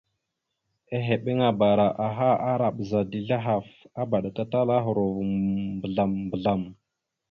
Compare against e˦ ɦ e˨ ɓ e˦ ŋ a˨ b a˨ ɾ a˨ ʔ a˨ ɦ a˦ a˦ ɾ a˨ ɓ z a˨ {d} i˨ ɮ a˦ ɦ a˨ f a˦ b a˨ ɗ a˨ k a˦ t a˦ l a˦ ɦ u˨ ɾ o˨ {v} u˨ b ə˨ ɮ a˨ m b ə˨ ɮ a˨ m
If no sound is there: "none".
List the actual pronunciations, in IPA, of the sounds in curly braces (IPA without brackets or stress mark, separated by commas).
d, v